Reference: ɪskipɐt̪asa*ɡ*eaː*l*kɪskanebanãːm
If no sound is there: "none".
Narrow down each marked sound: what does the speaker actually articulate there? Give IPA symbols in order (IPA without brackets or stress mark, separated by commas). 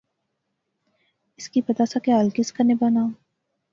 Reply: k, l